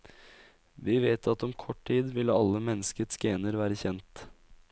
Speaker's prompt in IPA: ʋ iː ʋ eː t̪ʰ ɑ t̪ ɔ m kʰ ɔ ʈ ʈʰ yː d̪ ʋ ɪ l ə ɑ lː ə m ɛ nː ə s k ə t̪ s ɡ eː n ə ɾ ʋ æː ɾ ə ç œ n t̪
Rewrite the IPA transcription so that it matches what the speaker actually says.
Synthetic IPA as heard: ʋ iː ʋ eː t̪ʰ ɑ t̪ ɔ m kʰ ɔ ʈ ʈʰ iː d̪ ʋ ɪ l ə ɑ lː ə m ɛ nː ə s k ə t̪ s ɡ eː n ə ɾ ʋ æː ɾ ə ç ɛ n t̪